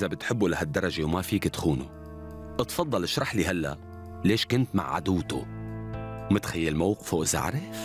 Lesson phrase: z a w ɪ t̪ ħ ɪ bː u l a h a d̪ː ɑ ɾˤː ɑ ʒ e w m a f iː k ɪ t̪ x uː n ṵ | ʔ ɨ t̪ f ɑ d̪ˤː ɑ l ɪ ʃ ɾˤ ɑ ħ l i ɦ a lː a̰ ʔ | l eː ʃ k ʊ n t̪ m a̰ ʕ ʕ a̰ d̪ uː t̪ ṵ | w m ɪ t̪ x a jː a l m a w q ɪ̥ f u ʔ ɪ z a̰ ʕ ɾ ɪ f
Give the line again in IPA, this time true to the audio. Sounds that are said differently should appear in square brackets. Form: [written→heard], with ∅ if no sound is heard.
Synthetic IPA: z a [w→b] ɪ t̪ ħ ɪ bː u l a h a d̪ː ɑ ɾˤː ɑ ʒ e w m a f iː k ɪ t̪ x uː n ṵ | ʔ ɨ t̪ f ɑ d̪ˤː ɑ l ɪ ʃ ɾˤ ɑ ħ l i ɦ a lː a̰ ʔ | l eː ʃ k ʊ n t̪ m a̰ ʕ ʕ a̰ d̪ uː t̪ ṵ | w m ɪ t̪ x a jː a l m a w q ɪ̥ f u ʔ ɪ z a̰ ʕ ɾ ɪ f